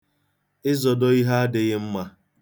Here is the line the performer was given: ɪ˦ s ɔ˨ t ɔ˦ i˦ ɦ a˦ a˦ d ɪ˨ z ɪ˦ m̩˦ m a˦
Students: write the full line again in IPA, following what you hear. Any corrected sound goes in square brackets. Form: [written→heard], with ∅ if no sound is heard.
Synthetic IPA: ɪ˦ [s→z] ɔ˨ [t→d] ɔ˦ i˦ ɦ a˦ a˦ d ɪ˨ [z→ɣ] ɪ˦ m̩˦ m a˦